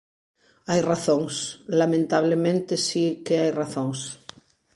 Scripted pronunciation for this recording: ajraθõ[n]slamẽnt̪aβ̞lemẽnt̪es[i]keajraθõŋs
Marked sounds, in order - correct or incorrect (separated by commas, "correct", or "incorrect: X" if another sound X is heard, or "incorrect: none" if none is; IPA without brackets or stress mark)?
incorrect: ŋ, correct